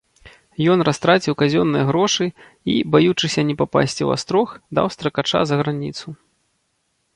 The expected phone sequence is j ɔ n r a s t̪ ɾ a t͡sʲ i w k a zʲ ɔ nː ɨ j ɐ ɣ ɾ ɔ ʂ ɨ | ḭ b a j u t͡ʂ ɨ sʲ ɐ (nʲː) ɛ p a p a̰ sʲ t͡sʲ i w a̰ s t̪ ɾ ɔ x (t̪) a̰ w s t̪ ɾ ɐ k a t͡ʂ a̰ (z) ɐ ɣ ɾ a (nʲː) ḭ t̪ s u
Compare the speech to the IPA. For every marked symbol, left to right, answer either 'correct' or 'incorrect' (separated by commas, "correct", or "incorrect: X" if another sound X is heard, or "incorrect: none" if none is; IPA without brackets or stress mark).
incorrect: nʲ, incorrect: d̪, correct, incorrect: nʲ